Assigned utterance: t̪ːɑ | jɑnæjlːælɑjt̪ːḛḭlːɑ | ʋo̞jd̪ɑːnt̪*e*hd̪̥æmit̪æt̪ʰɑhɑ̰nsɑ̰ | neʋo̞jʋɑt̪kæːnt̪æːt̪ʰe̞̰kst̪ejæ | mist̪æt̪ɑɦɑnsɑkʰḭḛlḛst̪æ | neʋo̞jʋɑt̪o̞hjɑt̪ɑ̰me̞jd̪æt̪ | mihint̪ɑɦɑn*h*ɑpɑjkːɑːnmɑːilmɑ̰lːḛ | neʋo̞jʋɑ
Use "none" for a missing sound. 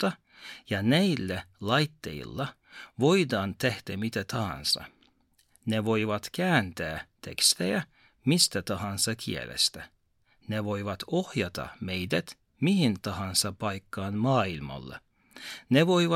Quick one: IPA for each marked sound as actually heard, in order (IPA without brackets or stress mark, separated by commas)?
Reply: e, s